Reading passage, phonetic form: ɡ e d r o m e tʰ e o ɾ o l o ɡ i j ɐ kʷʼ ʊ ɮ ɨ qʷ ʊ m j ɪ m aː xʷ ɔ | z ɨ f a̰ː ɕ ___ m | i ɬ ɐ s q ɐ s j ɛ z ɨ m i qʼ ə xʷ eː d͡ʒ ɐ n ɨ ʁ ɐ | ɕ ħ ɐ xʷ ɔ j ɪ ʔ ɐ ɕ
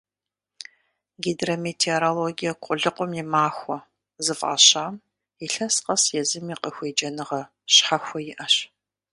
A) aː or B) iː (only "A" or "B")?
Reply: A